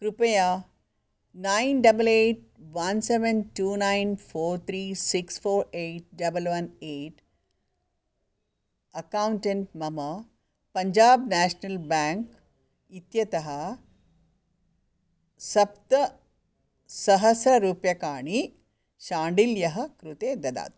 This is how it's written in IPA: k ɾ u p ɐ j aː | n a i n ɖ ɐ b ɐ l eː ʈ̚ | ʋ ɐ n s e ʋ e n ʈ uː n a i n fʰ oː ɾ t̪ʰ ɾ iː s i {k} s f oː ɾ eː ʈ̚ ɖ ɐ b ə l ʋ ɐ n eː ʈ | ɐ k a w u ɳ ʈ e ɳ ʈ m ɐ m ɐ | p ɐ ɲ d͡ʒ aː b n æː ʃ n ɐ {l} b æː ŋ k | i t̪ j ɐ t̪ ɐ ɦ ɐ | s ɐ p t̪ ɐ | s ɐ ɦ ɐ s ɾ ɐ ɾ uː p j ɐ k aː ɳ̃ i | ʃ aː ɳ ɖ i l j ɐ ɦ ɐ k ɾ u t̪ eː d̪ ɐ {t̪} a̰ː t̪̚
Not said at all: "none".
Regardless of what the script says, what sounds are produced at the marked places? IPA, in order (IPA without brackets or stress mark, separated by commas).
k, l, d̪